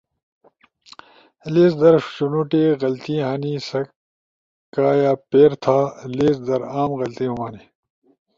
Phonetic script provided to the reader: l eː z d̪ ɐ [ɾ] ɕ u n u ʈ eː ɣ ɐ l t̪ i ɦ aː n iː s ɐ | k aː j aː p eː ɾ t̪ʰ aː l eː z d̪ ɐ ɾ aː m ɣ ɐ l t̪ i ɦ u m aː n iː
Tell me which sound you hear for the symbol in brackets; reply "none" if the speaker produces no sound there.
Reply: ɾ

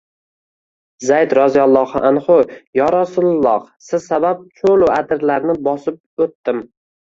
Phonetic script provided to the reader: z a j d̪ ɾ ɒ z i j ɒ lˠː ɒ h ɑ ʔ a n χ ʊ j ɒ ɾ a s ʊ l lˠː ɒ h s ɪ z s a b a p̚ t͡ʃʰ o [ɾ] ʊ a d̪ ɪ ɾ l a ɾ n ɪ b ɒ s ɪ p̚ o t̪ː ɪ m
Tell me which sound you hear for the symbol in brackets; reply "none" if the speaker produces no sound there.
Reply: l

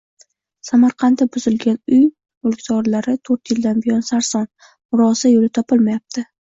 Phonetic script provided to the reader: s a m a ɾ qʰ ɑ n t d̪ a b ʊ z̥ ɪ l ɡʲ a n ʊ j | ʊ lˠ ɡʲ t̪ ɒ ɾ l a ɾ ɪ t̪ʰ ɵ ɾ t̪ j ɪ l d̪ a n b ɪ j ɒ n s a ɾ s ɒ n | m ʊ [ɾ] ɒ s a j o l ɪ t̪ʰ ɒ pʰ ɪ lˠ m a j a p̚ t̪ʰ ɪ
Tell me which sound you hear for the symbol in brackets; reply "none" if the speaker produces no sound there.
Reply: ɾ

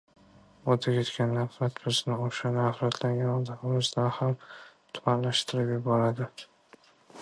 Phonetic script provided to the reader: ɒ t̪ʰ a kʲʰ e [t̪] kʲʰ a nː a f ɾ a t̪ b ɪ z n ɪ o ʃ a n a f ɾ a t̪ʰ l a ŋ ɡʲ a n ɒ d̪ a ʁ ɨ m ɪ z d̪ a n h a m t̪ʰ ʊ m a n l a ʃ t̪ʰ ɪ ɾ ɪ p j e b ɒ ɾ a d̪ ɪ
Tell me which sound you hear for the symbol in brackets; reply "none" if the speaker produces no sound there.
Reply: t̪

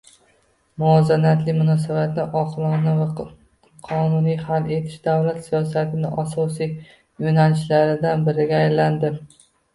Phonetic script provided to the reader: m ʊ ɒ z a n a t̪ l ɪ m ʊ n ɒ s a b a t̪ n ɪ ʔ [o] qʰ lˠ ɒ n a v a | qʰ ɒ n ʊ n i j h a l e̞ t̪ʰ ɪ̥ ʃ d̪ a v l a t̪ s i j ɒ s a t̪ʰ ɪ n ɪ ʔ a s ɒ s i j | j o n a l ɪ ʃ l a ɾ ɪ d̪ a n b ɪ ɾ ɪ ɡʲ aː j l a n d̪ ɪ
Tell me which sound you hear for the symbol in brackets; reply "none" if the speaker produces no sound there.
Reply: ɒ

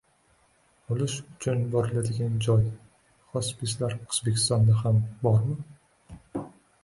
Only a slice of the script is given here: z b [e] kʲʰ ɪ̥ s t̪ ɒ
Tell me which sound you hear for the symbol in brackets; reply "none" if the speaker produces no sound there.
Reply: e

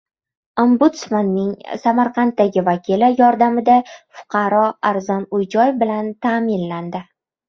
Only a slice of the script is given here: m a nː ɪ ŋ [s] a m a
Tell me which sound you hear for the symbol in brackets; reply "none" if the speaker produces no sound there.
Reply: s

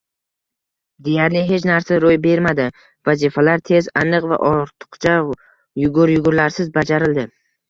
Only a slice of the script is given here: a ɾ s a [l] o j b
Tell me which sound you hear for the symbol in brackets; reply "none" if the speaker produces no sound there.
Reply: ɾ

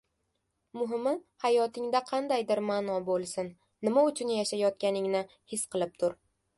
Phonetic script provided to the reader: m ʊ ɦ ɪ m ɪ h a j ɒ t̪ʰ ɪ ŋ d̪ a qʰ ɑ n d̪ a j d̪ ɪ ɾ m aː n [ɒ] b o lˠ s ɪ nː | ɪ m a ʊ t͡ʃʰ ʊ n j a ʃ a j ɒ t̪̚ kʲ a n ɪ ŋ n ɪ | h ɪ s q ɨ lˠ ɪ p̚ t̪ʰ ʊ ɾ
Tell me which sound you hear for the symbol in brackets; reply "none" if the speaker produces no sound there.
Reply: ɒ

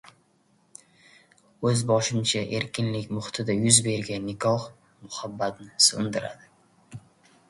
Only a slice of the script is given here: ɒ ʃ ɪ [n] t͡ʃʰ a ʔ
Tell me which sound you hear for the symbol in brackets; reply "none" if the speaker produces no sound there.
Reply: m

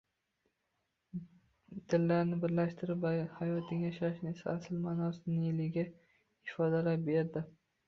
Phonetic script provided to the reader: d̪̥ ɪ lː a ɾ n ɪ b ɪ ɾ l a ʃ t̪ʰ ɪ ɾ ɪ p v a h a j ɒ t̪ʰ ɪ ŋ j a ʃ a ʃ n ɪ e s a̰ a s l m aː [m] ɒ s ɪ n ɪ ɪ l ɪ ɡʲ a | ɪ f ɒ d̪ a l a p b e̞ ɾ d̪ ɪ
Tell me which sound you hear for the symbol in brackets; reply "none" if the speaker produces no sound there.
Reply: n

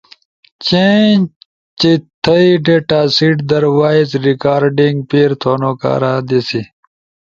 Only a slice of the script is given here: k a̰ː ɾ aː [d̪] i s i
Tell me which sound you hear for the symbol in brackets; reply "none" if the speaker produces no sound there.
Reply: d̪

